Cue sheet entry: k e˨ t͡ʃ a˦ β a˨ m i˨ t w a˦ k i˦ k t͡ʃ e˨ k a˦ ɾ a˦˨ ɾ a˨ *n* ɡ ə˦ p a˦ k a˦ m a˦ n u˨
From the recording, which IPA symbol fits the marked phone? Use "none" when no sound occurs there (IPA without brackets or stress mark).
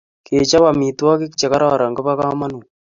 ŋ